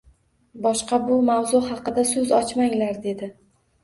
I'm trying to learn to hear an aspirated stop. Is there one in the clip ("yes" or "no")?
no